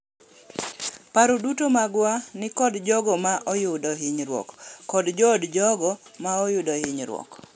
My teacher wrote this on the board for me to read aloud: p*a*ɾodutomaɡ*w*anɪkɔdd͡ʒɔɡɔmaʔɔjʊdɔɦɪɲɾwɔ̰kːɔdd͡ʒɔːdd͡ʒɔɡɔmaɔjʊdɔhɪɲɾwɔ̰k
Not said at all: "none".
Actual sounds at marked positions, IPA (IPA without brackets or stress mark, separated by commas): a, w